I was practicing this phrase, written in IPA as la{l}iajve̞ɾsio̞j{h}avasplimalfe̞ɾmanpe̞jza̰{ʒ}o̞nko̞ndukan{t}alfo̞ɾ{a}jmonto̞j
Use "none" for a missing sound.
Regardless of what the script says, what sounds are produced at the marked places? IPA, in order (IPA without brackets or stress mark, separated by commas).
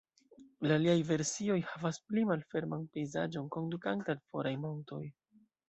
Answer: l, h, d͡ʒ, t, a